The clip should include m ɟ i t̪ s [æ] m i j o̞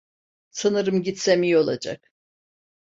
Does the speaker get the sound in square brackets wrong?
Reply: yes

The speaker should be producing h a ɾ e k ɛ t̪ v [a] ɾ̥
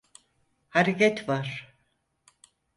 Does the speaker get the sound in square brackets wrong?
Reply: no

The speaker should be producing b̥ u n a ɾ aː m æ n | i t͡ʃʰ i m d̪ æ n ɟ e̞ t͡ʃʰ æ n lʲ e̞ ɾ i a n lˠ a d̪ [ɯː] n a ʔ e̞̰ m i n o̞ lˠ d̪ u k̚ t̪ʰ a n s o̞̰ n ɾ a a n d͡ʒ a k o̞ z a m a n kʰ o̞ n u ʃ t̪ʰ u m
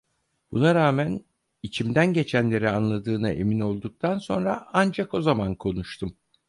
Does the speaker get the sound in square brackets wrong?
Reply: no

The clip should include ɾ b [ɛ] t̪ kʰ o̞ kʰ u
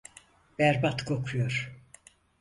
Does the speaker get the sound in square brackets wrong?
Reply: yes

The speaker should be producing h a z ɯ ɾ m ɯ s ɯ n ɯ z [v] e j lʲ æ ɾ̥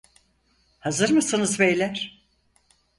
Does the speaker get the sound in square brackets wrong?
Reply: yes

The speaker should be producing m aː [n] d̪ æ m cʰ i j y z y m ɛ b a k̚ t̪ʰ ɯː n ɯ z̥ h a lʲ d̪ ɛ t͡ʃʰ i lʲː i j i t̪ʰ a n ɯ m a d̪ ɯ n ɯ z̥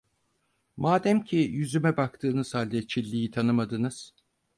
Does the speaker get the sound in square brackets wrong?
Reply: yes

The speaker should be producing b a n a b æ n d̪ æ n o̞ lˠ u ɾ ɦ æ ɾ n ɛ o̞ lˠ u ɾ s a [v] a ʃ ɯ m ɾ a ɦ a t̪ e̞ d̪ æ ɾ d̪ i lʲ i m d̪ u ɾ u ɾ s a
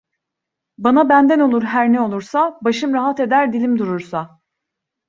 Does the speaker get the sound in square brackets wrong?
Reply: yes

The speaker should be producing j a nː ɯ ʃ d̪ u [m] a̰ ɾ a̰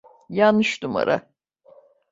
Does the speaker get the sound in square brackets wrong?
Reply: no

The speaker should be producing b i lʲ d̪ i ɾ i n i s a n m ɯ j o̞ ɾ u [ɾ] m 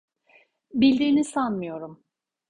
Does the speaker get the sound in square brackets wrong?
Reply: yes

